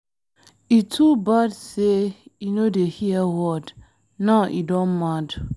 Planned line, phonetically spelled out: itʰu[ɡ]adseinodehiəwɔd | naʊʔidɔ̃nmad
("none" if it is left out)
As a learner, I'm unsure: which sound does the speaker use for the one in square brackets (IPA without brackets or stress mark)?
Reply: b